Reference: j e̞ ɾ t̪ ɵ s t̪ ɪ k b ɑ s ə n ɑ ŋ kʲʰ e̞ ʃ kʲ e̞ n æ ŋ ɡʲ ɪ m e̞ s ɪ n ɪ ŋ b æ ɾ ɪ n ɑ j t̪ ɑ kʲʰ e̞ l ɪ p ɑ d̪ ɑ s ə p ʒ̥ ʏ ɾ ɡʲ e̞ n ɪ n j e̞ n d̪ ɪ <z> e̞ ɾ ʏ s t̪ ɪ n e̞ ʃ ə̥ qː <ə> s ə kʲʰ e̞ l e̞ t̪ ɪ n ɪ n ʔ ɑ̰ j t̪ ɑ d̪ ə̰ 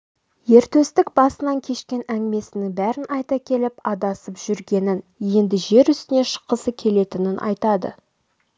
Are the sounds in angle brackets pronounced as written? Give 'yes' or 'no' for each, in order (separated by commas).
no, yes